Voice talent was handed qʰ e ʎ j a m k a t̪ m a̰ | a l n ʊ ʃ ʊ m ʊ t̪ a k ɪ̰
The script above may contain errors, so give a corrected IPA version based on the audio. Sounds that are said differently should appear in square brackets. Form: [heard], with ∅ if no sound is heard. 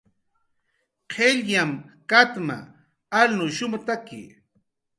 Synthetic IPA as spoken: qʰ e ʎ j a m k a t̪ m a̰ | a l n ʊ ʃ ʊ m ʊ t̪ a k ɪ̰